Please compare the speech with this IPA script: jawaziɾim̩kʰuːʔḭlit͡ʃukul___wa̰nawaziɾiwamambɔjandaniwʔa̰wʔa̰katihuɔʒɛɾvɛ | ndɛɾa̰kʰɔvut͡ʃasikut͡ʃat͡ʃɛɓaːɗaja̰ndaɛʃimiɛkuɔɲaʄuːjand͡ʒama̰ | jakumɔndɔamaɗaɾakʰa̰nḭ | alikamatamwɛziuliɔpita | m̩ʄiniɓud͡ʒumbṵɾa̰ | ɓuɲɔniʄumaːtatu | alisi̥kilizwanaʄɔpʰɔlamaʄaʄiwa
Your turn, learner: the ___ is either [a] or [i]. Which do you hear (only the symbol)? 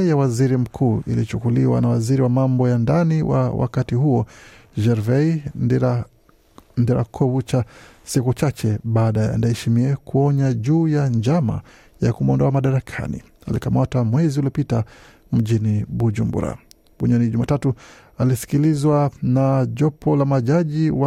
i